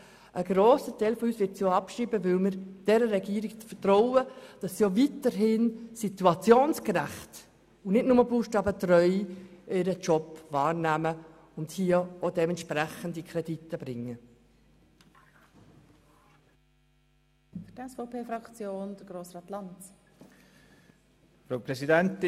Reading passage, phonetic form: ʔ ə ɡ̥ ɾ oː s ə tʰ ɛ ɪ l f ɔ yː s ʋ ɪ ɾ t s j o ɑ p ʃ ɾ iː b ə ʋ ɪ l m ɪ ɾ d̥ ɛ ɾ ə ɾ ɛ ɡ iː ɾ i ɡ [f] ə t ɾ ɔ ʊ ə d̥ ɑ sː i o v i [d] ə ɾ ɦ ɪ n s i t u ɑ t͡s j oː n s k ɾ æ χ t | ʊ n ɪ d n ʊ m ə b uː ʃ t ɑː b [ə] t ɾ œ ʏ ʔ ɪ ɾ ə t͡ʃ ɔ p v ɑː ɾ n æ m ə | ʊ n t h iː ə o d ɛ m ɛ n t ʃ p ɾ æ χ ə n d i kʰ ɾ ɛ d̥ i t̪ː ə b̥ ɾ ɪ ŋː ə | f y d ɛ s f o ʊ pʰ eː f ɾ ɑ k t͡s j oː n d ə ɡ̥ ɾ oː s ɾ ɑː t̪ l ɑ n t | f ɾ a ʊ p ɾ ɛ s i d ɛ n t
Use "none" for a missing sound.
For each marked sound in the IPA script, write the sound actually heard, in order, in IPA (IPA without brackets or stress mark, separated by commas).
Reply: f, t, ə